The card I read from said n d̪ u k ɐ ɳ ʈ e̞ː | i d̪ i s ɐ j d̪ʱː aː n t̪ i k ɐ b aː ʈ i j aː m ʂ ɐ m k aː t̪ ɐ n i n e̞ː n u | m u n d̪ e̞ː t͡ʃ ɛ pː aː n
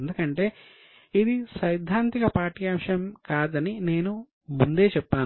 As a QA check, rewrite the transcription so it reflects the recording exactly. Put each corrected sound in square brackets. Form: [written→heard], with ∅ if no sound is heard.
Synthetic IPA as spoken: n d̪ u k ɐ ɳ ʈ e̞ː | i d̪ i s ɐ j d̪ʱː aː n t̪ i k ɐ [b→p] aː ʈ i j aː m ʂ ɐ m k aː [t̪→d̪] ɐ n i n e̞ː n u | m u n d̪ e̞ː t͡ʃ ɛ pː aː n

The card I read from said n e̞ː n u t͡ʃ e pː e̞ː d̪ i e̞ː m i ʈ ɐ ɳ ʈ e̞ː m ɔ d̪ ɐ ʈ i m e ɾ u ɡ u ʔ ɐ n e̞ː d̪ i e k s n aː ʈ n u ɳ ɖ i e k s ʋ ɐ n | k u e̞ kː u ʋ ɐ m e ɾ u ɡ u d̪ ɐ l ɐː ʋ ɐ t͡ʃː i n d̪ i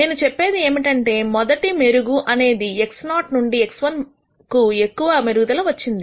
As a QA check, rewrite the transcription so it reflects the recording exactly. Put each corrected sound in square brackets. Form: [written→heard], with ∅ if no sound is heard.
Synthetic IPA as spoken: n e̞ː n u t͡ʃ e pː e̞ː d̪ i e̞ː m i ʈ ɐ ɳ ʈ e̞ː m ɔ d̪ ɐ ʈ i m e ɾ u ɡ u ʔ ɐ n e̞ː d̪ i e k s n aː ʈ n u ɳ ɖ i e k s ʋ ɐ n | k u e̞ kː u ʋ ɐ m e ɾ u ɡ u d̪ ɐ l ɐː ʋ ɐ t͡ʃː i n d̪ i

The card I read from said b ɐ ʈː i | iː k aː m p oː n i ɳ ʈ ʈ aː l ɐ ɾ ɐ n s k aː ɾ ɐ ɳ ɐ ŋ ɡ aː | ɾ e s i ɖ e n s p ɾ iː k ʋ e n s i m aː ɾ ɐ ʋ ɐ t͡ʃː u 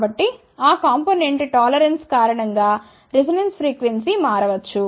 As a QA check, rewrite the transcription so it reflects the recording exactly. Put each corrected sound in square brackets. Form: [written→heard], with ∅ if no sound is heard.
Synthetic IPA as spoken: b ɐ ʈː i | [iː→aː] k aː m p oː n [i→e] ɳ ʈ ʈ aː l ɐ ɾ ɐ n s k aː ɾ ɐ ɳ ɐ ŋ ɡ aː | ɾ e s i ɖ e n s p ɾ iː k ʋ e n s i m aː ɾ ɐ ʋ ɐ t͡ʃː u

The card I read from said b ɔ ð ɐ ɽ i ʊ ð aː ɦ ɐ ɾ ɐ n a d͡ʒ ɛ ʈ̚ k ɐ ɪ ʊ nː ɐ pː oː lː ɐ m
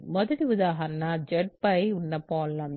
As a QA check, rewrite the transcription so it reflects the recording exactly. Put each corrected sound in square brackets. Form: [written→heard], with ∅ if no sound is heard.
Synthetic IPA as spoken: [b→m] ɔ ð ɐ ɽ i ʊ ð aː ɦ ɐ ɾ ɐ n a d͡ʒ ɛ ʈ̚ [k→p] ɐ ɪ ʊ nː ɐ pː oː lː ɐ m

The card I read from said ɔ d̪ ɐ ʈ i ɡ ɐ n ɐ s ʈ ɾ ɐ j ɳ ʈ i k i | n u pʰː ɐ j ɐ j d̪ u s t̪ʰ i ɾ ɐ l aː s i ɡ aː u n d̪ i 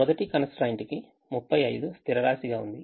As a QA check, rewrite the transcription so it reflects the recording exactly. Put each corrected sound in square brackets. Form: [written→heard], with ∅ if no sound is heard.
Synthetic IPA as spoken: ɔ d̪ ɐ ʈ i [ɡ→k] ɐ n ɐ s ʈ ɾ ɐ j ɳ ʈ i k i | [n→m] u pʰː ɐ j ɐ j d̪ u s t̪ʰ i ɾ ɐ [l→ɾ] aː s i ɡ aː u n d̪ i

